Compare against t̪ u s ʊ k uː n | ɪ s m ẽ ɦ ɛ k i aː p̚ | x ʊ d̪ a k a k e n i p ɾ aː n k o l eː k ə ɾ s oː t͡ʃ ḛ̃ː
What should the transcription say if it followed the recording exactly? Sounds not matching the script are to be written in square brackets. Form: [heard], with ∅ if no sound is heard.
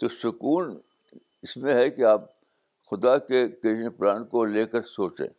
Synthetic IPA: t̪ [o] s ʊ k uː n | ɪ s m ẽ ɦ ɛ k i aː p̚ | x ʊ d̪ a k [e] k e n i p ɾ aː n k o l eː k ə ɾ s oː t͡ʃ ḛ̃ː